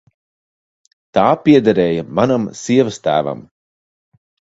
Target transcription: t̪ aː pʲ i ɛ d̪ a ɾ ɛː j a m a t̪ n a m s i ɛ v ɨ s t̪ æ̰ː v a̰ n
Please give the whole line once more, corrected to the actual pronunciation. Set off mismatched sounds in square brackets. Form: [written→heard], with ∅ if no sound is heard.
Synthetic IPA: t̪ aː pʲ i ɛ d̪ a ɾ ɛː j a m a [t̪→∅] n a m s i ɛ v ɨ s t̪ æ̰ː v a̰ [n→m]

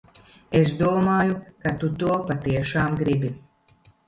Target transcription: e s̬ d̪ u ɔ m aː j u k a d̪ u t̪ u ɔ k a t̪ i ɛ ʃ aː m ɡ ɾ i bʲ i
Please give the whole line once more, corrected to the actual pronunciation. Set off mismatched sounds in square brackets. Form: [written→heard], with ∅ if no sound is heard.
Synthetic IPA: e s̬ d̪ u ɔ m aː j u k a [d̪→t̪] u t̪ u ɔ [k→p] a t̪ i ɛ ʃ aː m ɡ ɾ i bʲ i

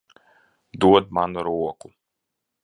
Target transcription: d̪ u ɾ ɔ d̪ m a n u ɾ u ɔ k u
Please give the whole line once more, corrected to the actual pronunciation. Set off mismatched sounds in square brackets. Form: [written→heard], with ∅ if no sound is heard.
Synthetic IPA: d̪ u [ɾ→∅] ɔ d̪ m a n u ɾ u ɔ k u

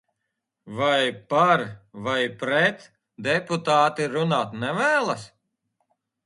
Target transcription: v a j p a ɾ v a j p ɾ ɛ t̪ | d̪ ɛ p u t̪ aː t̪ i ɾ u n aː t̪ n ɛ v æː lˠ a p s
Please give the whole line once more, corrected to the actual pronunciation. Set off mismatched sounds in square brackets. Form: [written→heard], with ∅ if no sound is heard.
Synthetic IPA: v a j p a ɾ v a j p ɾ ɛ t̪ | d̪ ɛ p u t̪ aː t̪ i ɾ u n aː t̪ n ɛ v æː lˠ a [p→∅] s

